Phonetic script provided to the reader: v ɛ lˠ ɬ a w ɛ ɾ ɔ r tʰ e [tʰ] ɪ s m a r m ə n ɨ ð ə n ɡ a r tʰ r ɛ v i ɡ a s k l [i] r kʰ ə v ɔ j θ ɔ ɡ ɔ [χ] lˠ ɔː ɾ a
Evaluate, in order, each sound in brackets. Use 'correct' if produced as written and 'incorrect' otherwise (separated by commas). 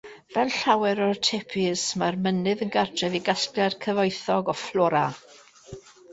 incorrect, incorrect, incorrect